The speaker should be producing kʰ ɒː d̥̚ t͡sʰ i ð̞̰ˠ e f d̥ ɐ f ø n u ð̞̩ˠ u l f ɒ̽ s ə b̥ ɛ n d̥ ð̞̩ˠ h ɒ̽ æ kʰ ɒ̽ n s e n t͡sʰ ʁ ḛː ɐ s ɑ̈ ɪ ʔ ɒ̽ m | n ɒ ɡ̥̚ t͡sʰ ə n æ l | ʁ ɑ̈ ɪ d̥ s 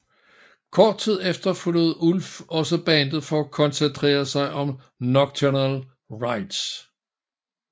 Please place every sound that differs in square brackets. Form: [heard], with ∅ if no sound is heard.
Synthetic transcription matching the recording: kʰ ɒː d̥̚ t͡sʰ i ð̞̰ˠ e f d̥ ɐ f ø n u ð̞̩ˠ u l f ɒ̽ s ə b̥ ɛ n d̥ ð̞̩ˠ [f] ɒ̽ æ kʰ ɒ̽ n s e n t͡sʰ ʁ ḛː ɐ s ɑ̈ ɪ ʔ ɒ̽ m | n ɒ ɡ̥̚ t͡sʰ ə n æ l | ʁ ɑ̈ ɪ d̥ s